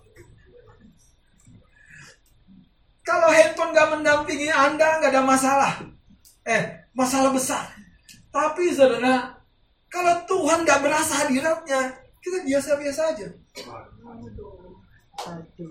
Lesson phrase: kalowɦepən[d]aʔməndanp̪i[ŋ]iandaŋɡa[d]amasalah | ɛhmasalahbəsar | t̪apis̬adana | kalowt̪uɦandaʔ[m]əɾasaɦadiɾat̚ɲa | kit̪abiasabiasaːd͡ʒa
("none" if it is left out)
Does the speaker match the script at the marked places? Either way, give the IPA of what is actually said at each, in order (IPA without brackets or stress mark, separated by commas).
ɡ, ŋ, d, b